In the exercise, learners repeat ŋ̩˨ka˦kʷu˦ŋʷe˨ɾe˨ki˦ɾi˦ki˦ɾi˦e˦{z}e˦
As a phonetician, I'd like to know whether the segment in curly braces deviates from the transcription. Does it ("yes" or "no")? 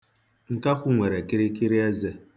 no